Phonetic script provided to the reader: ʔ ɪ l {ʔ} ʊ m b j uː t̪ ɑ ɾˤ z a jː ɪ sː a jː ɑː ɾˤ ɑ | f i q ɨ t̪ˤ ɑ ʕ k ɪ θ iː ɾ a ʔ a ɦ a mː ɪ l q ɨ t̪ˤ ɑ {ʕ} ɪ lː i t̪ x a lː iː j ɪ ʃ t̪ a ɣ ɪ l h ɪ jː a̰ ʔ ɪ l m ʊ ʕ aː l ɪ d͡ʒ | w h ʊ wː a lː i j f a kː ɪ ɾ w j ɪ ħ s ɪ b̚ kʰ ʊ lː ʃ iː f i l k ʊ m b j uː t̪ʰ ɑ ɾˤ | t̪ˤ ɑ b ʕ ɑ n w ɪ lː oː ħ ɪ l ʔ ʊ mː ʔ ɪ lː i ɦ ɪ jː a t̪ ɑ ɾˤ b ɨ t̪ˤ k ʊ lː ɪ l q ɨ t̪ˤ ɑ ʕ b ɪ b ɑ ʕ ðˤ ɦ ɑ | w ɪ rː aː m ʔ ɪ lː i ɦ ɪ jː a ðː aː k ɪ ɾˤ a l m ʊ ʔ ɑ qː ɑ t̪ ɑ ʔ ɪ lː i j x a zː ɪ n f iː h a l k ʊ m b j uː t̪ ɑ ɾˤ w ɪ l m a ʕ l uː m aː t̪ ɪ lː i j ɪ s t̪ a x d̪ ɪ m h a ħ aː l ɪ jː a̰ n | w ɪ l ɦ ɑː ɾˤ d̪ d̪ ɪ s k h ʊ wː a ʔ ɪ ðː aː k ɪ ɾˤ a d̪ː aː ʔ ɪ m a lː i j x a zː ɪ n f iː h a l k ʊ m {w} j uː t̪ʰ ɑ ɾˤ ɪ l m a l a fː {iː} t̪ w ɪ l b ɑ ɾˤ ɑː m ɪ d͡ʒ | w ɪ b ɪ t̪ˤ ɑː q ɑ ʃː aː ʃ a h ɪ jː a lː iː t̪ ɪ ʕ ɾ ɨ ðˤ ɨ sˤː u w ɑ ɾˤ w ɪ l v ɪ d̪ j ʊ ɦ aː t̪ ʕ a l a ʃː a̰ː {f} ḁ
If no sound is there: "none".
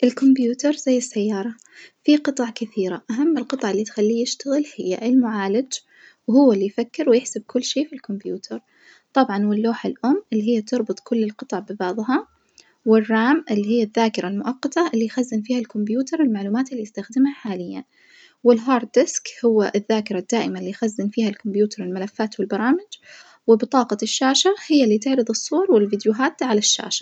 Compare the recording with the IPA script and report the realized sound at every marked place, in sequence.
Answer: k, ʕ, b, aː, ʃ

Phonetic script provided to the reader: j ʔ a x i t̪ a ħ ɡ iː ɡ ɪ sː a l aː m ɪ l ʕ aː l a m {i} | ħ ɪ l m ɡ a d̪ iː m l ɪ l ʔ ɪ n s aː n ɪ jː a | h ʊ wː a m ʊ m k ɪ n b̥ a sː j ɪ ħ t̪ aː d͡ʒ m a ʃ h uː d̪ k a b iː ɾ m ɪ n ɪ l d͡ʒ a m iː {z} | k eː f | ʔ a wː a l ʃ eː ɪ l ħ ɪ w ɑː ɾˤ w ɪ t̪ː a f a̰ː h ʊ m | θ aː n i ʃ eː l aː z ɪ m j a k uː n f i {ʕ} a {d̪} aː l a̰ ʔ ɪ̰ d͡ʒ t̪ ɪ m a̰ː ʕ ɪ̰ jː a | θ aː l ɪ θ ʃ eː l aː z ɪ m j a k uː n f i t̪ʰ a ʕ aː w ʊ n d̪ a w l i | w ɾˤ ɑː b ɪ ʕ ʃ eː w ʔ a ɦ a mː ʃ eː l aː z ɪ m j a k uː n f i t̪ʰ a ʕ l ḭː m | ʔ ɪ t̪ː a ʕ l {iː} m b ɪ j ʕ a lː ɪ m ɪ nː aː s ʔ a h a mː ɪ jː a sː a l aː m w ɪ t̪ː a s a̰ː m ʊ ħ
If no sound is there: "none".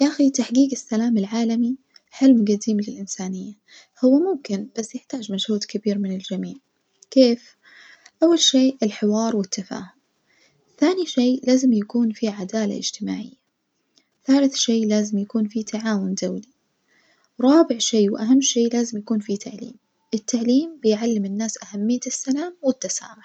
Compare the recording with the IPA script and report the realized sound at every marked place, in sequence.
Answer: i, ʕ, ʕ, d̪, iː

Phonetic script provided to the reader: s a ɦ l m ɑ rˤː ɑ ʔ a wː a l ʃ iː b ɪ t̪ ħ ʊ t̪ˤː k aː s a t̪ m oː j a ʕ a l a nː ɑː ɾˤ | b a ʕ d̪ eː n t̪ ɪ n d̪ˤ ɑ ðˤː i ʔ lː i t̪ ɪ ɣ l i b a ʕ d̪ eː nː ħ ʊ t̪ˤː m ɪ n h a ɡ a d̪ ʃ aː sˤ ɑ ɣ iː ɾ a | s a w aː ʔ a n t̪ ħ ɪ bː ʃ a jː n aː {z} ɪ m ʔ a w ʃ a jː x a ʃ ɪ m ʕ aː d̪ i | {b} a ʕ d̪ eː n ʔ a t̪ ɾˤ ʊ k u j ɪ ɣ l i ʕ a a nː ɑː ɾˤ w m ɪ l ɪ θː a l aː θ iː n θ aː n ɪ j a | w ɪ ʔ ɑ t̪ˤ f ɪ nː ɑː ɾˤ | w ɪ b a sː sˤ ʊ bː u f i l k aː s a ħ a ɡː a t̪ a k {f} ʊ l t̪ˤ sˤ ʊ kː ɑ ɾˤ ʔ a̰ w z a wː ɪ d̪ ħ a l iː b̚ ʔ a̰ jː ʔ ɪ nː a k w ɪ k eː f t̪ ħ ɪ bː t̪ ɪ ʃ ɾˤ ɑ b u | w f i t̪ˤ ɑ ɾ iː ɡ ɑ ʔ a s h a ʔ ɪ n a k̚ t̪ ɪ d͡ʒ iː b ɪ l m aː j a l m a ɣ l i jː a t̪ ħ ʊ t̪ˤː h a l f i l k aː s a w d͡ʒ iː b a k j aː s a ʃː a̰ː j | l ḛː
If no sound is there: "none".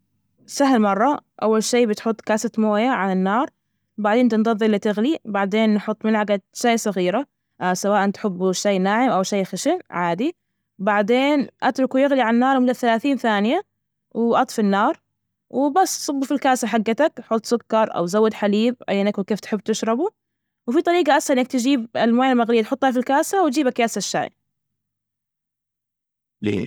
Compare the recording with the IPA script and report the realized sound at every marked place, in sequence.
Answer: ʕ, b, ħ

